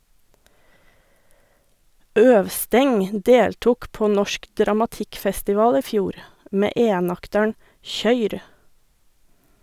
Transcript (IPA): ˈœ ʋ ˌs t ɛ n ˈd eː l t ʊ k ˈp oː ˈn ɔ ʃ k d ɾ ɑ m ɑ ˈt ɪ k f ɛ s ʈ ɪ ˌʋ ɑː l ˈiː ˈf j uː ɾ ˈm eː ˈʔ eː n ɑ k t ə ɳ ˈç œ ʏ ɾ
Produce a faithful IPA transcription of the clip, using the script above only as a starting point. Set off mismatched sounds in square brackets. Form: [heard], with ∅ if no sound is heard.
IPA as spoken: ˈœ ʋ ˌs t ɛ [ŋ] ˈd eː l t ʊ k ˈp oː ˈn ɔ ʃ k d ɾ ɑ m ɑ ˈt ɪ k f ɛ s [t] ɪ ˌʋ ɑː l ˈiː ˈf j uː ɾ ˈm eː ˈʔ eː n ɑ k t ə ɳ ˈç œ ʏ ɾ